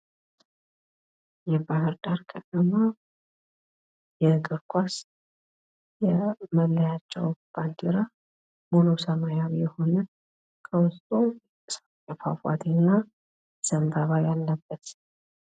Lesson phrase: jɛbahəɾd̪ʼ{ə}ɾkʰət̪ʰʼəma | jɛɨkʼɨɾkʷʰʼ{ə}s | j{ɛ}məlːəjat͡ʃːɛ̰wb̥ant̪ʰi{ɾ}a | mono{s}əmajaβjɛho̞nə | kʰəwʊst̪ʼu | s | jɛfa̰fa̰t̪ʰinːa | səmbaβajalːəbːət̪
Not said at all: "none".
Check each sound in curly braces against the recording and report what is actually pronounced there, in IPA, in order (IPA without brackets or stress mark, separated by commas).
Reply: a, a, ɛ, ɾ, s